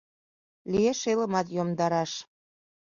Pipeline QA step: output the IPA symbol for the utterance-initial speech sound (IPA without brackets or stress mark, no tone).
l